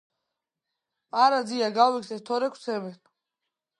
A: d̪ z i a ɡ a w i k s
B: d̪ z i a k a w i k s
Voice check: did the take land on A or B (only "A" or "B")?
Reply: A